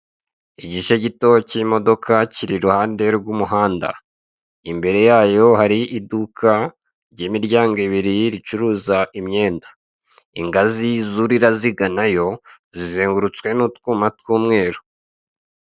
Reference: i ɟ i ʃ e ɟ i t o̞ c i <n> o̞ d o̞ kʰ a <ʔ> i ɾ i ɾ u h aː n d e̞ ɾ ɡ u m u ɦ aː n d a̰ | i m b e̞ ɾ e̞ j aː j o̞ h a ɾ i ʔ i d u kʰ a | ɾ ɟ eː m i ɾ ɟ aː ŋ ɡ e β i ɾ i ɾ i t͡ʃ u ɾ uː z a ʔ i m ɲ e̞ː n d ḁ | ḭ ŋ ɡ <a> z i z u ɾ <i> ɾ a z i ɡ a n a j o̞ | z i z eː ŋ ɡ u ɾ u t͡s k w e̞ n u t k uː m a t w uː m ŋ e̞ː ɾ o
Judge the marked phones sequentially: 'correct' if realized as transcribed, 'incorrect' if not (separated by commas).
incorrect, incorrect, correct, correct